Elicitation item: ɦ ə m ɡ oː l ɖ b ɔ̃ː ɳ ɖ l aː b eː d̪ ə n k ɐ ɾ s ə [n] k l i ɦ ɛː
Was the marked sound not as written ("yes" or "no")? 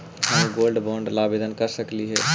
yes